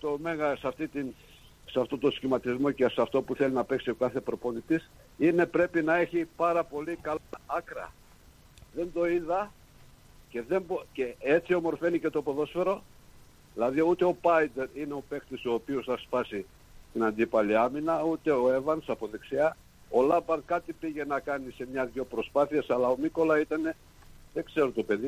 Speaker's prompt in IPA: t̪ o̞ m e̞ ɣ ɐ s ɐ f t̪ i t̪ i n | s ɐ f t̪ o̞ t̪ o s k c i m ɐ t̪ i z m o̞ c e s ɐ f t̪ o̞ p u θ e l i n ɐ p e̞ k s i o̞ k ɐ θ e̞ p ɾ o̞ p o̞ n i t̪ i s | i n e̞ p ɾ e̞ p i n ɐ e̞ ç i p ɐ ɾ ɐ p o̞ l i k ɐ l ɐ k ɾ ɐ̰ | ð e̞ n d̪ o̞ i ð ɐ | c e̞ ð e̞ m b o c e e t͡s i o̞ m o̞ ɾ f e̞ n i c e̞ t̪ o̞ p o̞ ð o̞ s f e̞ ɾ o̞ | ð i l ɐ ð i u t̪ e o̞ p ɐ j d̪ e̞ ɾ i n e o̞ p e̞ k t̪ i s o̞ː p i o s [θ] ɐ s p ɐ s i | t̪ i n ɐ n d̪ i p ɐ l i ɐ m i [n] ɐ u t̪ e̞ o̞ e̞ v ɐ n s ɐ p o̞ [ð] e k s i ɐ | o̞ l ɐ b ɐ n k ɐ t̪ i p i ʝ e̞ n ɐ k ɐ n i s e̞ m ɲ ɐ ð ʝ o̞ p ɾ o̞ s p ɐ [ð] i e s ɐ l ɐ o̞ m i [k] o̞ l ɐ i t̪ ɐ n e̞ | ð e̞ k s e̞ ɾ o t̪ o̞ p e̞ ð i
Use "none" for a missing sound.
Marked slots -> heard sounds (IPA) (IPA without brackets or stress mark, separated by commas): θ, n, ð, θ, k